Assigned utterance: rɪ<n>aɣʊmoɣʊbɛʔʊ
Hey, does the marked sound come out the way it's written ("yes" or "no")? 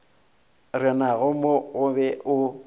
yes